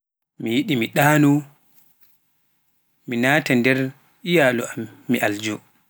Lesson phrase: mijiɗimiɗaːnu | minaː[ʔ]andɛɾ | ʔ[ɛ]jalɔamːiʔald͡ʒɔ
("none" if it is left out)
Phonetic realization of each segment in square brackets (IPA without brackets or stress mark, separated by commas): t, i